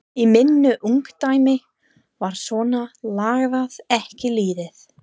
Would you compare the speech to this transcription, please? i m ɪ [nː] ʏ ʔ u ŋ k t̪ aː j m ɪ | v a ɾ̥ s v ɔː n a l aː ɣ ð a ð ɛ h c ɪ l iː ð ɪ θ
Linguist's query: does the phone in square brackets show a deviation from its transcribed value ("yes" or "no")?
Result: no